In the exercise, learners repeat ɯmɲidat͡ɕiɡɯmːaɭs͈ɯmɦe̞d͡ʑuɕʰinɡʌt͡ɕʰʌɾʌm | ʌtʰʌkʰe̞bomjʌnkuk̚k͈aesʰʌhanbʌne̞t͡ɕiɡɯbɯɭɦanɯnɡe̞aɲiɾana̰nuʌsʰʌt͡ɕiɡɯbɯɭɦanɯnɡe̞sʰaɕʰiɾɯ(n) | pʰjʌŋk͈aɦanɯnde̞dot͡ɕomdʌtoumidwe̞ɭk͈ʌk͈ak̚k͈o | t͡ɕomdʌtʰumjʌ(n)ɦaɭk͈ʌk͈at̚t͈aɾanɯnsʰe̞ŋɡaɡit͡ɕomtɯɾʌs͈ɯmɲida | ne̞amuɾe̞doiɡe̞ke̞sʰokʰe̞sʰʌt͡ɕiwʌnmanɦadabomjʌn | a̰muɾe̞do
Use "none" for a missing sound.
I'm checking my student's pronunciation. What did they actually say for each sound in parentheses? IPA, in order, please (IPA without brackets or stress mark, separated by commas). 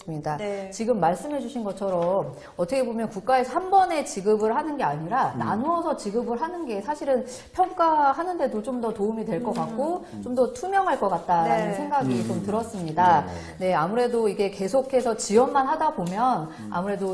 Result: n, ŋ